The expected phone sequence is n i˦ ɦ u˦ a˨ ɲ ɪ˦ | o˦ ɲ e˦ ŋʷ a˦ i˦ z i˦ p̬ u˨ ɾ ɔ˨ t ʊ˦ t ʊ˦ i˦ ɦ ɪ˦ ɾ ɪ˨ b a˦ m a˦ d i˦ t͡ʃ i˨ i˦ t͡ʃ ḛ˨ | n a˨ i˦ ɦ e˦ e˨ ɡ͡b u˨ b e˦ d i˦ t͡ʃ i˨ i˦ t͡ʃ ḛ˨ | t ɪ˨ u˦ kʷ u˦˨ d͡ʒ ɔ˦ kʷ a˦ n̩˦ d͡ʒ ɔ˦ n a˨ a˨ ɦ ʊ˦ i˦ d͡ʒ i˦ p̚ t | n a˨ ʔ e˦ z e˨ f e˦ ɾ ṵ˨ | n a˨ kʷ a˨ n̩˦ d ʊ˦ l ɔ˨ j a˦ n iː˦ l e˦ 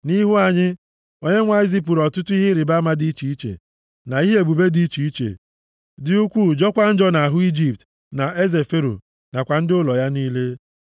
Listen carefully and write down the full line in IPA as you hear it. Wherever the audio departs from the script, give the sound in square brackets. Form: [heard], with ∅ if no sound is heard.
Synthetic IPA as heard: n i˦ ɦ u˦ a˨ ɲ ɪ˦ | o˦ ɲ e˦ ŋʷ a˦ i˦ z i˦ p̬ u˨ ɾ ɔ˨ t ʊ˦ t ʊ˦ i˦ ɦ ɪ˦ ɾ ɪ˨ b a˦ m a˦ d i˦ t͡ʃ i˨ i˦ t͡ʃ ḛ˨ | n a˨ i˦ ɦ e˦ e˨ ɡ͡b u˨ b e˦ d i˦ t͡ʃ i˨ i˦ t͡ʃ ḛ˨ | [d] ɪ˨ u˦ kʷ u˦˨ d͡ʒ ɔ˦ kʷ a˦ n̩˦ d͡ʒ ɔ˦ n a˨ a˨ ɦ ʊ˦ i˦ d͡ʒ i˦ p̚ t | n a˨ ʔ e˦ z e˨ f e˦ ɾ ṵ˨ | n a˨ kʷ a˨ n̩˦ d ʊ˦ l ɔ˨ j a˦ n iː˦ l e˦